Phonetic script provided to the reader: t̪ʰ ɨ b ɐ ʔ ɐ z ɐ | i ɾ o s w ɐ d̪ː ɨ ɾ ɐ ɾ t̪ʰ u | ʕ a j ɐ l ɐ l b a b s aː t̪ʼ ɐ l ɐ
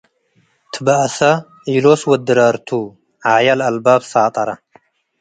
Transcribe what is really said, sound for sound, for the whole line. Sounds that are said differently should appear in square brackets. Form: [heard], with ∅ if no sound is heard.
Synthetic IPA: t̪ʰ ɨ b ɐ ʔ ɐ [s] ɐ | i [l] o s w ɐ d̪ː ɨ ɾ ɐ ɾ t̪ʰ u | ʕ a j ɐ l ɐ l b a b s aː t̪ʼ ɐ [ɾ] ɐ

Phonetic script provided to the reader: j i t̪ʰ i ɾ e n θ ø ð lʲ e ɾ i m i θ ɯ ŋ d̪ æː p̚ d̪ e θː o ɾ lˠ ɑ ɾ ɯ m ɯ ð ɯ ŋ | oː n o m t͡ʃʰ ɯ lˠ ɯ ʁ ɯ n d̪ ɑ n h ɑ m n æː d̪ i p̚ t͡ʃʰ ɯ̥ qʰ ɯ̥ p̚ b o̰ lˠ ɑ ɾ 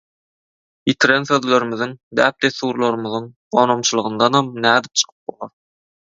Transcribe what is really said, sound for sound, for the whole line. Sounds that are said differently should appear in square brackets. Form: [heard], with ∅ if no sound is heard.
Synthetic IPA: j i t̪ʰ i ɾ e n θ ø ð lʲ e ɾ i m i [ð] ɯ ŋ d̪ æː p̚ d̪ e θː [u] ɾ lˠ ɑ ɾ ɯ m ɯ ð ɯ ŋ | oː n o m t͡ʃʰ ɯ lˠ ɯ ʁ ɯ n d̪ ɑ n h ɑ m n æː d̪ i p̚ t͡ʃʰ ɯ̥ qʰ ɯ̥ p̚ b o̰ lˠ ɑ ɾ

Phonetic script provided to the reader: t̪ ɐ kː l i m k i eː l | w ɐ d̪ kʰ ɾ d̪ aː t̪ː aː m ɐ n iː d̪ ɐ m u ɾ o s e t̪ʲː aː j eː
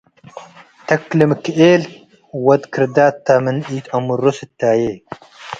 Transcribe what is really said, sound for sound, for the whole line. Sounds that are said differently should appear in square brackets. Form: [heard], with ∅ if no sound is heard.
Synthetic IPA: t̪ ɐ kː l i m k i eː l | w ɐ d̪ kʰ ɾ d̪ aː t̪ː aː m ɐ n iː [t̪] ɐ m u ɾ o s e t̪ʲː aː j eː

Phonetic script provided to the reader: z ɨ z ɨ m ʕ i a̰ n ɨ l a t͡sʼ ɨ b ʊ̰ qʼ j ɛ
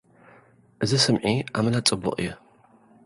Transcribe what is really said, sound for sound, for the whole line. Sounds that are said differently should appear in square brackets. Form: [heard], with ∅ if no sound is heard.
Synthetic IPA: z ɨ [s] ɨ m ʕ i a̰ [m] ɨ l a t͡sʼ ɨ b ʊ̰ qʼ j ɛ

